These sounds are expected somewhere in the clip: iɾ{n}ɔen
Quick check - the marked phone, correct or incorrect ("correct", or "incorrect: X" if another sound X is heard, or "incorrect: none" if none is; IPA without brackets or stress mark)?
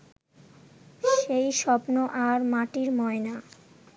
incorrect: m